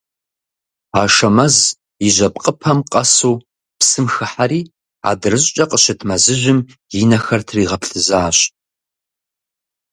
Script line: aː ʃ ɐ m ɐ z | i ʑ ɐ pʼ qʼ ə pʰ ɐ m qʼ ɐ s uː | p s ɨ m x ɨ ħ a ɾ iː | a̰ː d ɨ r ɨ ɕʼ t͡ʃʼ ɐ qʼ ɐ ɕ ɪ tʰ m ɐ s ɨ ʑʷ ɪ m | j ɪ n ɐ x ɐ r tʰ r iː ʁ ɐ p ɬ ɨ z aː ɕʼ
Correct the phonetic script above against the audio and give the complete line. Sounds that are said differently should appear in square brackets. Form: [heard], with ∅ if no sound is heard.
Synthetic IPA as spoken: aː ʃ ɐ m ɐ z | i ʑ ɐ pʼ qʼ ə pʰ ɐ m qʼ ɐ s uː | p s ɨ m x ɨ ħ a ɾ iː | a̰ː d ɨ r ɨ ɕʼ t͡ʃʼ ɐ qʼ [ə] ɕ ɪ tʰ m ɐ [z] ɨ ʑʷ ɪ m | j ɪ n ɐ x ɐ r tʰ r iː ʁ ɐ p ɬ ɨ z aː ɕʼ